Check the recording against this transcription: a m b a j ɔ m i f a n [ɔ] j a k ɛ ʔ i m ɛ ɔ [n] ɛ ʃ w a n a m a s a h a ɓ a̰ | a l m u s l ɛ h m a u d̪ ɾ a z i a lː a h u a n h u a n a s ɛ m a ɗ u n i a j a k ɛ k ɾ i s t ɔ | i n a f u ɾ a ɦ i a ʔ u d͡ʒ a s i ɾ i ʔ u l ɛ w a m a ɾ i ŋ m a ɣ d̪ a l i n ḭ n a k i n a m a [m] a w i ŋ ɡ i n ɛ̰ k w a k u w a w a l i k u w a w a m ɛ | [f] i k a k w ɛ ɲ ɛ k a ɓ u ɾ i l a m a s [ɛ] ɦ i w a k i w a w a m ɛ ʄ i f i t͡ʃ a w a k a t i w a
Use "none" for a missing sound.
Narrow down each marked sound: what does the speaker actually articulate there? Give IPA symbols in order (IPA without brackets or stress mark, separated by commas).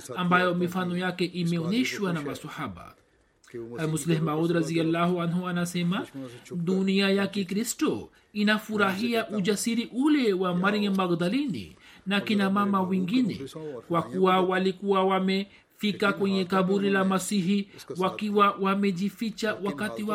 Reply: ɔ, n, m, f, i